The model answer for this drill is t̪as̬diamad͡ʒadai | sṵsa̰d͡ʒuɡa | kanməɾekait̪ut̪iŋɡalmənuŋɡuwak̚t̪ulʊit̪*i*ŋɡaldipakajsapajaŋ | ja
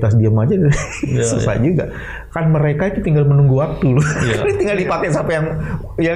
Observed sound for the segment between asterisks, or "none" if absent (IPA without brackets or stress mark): i